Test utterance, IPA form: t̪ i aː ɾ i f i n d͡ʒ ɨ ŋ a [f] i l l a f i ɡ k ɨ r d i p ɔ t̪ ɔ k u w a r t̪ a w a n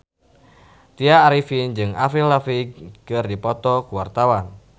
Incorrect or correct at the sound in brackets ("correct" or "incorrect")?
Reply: correct